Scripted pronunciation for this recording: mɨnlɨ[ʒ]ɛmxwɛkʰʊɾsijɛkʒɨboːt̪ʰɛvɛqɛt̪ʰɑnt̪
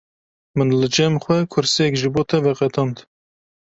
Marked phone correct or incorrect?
incorrect